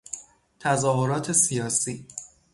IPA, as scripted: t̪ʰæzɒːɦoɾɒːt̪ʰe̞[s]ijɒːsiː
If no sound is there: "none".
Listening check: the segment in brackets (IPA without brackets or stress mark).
s